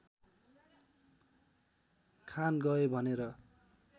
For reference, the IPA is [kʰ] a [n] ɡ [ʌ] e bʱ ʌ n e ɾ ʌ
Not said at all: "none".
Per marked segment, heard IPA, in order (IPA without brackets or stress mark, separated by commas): kʰ, n, ʌ